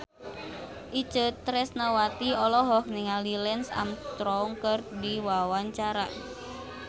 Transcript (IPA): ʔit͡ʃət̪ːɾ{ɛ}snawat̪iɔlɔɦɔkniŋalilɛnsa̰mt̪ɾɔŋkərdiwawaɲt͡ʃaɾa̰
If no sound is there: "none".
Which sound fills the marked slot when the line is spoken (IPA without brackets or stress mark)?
ɛ